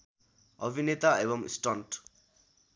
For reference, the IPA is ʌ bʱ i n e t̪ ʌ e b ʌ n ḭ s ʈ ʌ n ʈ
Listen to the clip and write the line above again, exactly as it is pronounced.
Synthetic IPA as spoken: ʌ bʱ i n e t̪ a e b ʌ m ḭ s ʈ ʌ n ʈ